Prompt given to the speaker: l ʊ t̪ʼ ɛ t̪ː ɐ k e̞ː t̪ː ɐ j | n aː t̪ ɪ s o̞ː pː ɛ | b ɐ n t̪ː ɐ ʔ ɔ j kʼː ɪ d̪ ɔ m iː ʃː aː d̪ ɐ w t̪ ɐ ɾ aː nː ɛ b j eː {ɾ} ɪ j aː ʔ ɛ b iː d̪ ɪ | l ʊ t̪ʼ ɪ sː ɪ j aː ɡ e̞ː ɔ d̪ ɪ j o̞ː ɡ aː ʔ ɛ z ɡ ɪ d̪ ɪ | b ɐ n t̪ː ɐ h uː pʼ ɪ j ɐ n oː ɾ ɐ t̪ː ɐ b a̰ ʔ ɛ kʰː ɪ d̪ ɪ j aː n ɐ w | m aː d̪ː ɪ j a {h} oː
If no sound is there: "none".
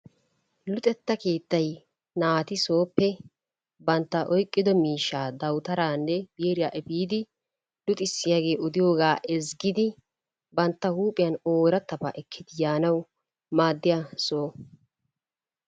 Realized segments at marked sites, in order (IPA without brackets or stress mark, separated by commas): ɾ, s